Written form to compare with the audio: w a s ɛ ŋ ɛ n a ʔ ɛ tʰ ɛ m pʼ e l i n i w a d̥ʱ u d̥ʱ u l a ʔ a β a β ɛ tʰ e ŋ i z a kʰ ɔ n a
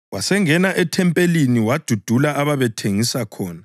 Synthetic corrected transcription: w a s ɛ ŋ ɛ n a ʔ ɛ tʰ ɛ m pʼ e l i n i w a d̥ʱ u d̥ʱ u l a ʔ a β a β ɛ tʰ e ŋ i s a kʰ ɔː n a